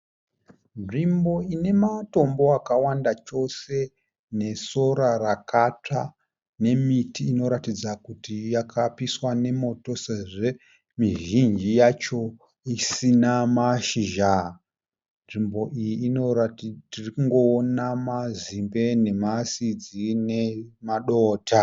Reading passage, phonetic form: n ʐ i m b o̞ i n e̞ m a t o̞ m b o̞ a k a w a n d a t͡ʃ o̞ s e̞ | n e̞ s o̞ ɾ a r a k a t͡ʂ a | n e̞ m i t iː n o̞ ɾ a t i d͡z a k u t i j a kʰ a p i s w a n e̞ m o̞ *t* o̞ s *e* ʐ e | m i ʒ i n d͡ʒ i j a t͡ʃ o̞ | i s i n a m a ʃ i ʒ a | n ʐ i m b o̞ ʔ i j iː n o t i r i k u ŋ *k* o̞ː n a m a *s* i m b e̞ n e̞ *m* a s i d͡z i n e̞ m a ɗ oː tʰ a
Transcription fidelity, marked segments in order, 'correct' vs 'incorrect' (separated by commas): correct, correct, incorrect, incorrect, correct